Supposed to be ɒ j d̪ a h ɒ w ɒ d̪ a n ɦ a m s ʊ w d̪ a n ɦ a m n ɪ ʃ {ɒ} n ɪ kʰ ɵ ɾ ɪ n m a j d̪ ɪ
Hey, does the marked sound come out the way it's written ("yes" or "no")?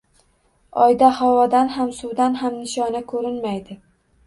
yes